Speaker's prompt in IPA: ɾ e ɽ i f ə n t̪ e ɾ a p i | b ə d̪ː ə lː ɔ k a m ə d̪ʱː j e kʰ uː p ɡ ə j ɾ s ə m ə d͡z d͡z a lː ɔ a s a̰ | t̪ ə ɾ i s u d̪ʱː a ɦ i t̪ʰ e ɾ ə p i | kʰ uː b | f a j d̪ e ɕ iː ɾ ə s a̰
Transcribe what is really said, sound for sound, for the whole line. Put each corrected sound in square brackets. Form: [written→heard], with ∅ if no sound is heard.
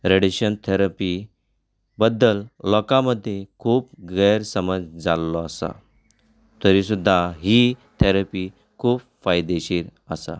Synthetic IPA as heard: ɾ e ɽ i [f→ɕ] ə n [t̪→t̪ʰ] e ɾ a p i | b ə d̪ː ə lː ɔ k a m ə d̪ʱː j e kʰ uː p ɡ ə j ɾ s ə m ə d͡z d͡z a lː ɔ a s a̰ | t̪ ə ɾ i s u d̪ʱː a ɦ i t̪ʰ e ɾ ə p i | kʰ uː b | f a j d̪ e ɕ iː ɾ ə s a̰